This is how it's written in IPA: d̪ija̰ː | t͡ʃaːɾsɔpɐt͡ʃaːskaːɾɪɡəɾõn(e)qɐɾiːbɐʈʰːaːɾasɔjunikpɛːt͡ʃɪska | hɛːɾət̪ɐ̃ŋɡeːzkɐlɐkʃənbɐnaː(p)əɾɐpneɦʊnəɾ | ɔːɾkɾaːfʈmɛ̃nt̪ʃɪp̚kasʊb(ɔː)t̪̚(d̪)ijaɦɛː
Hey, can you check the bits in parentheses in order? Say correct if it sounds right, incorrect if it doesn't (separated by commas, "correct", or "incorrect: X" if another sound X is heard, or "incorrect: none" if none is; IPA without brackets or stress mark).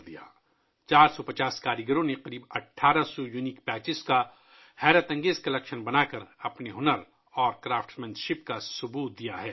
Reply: correct, incorrect: k, incorrect: uː, correct